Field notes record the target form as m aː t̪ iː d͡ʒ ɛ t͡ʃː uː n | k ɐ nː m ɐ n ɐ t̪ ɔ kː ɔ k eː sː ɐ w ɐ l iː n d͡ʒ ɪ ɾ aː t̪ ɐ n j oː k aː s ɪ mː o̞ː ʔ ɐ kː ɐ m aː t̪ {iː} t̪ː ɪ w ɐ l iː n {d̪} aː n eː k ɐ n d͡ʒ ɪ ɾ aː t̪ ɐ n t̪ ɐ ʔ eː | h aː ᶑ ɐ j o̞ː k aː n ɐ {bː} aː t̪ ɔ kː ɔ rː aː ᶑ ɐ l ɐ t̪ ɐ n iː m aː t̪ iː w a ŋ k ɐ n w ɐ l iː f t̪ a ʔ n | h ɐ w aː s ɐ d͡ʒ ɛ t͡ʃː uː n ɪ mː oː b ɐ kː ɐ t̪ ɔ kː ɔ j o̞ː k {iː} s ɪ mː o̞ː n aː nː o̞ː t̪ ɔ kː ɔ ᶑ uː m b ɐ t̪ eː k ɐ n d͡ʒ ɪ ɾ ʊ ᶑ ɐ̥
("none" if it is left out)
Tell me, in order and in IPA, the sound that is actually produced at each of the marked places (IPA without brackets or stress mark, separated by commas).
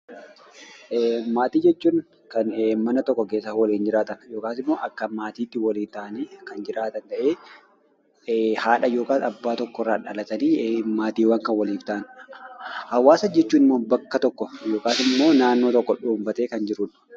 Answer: iː, t̪, bː, aː